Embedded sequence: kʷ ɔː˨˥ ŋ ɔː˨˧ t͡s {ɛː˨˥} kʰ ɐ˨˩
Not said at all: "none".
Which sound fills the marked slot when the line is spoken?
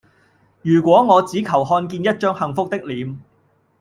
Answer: iː˨˥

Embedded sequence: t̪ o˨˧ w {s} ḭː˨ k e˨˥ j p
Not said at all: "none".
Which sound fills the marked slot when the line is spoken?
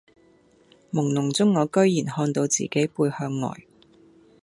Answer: t͡s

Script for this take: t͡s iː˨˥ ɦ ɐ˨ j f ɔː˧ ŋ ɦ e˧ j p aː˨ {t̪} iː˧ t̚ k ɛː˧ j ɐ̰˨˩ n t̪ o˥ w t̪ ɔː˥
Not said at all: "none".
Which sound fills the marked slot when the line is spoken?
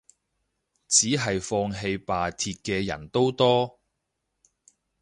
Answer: t̪ʰ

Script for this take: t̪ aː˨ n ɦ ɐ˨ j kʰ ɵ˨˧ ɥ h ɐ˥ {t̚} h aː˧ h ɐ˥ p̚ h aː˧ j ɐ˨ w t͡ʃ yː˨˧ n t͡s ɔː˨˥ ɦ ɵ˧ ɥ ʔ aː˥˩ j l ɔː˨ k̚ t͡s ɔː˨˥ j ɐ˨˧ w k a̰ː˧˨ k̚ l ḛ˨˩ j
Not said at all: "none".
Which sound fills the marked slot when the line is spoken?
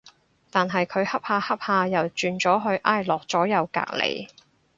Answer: p̚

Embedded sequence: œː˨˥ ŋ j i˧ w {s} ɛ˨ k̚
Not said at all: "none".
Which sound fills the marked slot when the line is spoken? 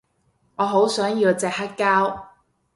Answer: t͡s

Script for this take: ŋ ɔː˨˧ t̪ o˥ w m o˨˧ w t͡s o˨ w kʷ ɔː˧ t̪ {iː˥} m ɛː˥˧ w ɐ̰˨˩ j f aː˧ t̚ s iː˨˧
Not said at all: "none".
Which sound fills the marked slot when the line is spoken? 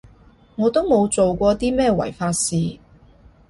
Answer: iː˥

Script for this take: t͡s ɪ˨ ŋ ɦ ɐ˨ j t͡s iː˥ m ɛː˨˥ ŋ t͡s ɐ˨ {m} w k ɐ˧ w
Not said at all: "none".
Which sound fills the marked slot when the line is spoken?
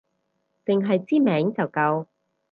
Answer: none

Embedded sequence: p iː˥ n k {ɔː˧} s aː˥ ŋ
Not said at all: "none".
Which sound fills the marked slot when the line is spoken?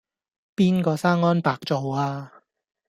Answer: ɔː˧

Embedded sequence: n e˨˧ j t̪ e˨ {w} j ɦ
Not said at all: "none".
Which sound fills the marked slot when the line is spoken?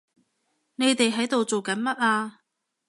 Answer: none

